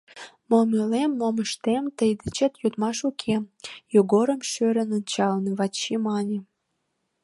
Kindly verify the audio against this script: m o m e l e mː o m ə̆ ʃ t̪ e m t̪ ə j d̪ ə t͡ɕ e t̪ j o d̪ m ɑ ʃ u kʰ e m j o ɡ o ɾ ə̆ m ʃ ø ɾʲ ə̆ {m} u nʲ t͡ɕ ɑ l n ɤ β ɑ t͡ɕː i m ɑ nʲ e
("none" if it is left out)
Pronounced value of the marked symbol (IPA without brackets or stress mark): n